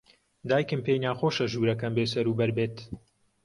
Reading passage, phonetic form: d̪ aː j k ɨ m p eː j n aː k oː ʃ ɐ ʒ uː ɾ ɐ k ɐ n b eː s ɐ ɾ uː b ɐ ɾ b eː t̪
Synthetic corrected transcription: d̪ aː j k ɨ m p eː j n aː x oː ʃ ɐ ʒ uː ɾ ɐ k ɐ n b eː s ɐ ɾ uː b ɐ ɾ b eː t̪